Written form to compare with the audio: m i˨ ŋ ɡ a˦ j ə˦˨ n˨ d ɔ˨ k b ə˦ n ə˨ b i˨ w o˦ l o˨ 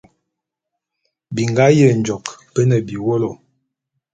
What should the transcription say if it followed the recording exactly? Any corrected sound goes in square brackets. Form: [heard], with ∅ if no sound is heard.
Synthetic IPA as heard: [b] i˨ ŋ ɡ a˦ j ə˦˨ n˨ [d͡ʒ] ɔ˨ k [p] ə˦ n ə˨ b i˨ w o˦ l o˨